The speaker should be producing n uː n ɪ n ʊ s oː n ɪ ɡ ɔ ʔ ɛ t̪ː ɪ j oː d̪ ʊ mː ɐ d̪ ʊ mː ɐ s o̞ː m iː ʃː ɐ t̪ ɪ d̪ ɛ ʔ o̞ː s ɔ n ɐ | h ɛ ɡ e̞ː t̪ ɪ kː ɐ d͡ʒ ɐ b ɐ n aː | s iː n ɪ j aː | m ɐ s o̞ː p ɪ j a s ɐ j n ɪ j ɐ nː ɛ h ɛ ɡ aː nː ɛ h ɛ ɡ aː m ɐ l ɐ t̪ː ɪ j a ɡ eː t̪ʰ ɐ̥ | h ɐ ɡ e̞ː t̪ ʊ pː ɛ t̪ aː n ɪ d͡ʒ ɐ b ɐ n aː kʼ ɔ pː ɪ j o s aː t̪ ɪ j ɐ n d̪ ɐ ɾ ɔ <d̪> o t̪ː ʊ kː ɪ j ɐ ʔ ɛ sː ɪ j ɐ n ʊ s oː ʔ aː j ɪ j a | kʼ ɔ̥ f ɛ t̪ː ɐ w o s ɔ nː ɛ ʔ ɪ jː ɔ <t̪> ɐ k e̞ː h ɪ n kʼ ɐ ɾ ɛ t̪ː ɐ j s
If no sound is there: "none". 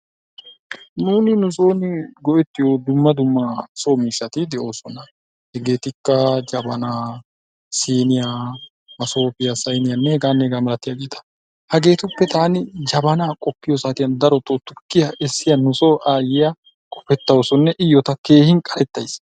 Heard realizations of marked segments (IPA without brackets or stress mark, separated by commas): t̪, t̪